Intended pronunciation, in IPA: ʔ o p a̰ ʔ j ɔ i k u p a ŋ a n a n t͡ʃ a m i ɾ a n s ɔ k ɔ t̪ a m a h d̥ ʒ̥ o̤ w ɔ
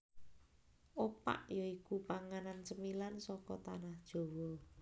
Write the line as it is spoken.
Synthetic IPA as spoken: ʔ o p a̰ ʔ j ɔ i k u p a ŋ a n a n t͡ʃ ə m i l a n s ɔ k ɔ t̪ a n a h d̥ ʒ̥ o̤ w ɔ